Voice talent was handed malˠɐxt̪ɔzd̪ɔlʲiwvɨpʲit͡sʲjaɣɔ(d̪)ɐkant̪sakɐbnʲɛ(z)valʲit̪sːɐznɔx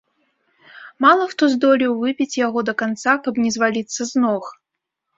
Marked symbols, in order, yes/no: yes, yes

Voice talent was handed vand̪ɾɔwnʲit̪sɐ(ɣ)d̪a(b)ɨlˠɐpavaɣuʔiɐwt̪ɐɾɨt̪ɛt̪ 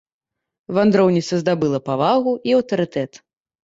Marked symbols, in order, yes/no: no, yes

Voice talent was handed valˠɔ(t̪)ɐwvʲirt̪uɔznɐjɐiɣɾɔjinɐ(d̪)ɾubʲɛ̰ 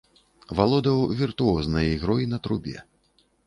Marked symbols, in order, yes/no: no, no

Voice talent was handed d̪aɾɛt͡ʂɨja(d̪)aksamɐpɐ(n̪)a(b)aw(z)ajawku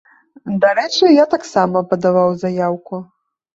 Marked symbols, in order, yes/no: no, no, no, yes

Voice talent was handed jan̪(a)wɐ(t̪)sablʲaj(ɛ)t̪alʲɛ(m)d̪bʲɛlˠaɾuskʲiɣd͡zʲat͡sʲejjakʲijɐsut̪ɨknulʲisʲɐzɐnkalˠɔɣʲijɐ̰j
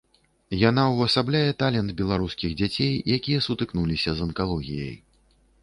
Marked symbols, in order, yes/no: yes, no, yes, no

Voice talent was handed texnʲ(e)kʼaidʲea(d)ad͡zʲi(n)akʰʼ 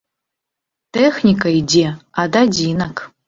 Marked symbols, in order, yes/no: no, yes, yes

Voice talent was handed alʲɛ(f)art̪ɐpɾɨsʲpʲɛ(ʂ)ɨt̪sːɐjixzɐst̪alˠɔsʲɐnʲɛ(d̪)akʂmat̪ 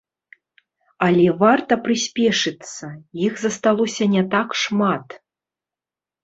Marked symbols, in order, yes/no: no, yes, no

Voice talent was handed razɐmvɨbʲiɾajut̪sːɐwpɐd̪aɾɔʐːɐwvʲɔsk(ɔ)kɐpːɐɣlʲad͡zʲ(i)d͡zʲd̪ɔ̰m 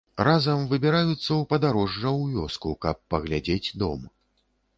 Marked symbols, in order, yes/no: no, no

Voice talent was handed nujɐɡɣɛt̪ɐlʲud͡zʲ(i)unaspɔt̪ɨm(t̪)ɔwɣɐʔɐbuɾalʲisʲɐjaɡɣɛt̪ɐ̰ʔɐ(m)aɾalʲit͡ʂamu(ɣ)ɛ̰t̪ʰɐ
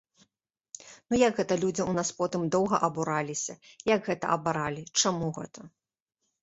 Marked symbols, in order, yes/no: yes, no, no, yes

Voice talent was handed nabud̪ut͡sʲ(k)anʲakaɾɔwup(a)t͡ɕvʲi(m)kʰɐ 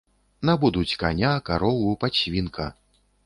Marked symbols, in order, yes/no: yes, yes, no

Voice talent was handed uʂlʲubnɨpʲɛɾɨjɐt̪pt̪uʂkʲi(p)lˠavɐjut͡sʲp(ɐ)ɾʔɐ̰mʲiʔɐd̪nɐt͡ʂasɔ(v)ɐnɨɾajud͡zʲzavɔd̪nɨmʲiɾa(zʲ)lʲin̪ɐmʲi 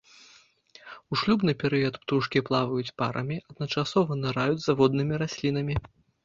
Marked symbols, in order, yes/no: yes, no, yes, no

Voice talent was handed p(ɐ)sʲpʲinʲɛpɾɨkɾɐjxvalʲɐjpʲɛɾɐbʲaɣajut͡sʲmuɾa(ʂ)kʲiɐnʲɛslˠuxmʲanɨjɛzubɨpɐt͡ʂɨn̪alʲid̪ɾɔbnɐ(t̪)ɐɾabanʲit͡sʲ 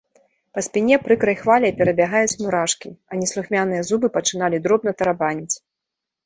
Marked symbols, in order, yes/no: yes, yes, yes

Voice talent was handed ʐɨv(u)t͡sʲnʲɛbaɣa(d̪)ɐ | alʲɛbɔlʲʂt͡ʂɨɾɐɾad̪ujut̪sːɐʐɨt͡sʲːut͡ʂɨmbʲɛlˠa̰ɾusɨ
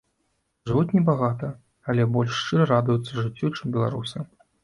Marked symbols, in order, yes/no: yes, no

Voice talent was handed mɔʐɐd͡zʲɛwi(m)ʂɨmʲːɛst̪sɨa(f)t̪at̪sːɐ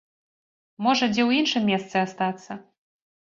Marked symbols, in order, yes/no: no, no

